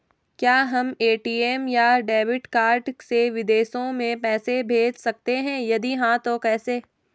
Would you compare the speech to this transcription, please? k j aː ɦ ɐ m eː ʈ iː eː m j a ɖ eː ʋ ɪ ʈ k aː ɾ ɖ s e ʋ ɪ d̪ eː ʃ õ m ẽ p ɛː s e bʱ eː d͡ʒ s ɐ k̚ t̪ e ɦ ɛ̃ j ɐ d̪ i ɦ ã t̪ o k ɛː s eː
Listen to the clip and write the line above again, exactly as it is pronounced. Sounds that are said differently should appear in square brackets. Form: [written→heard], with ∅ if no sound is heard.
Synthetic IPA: k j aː ɦ ɐ m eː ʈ iː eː m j a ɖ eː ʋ ɪ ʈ k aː ɾ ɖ s e ʋ ɪ d̪ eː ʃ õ m ẽ p ɛː s e bʱ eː d͡ʒ s ɐ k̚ t̪ e ɦ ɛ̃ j ɐ d̪ i ɦ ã t̪ o k ɛː s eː